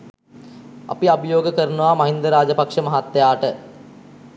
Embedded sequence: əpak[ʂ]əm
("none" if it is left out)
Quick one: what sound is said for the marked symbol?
ʂ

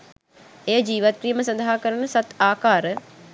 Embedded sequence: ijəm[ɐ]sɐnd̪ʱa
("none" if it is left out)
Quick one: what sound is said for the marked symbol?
ə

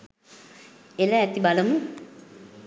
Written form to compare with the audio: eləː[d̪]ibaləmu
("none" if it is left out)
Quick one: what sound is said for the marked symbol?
t̪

